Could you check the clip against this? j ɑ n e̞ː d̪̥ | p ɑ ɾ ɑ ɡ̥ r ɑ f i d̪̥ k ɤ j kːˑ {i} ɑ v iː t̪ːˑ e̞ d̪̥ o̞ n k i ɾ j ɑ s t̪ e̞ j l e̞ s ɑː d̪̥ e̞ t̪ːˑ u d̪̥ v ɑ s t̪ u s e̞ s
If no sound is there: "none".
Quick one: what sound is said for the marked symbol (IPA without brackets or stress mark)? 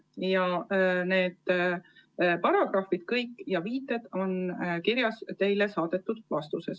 j